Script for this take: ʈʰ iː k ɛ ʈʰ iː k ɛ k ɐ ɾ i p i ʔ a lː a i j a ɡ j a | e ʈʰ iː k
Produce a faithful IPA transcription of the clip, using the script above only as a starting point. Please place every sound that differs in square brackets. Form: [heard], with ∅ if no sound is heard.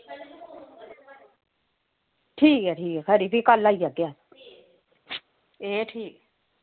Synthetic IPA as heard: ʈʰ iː k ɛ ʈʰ iː k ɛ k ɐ ɾ i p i [k] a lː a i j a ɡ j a | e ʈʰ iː k